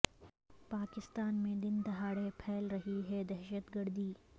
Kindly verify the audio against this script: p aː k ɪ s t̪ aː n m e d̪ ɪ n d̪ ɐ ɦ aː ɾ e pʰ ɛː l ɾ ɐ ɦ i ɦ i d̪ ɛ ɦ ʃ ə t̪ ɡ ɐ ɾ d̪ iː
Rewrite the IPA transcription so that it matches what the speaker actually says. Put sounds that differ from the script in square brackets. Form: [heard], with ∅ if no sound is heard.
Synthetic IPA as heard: p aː k ɪ s t̪ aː n m [ẽ] d̪ ɪ n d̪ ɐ ɦ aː [ɽ] e pʰ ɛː l ɾ ɐ ɦ i ɦ [ɛ] d̪ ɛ ɦ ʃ ə t̪ ɡ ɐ ɾ d̪ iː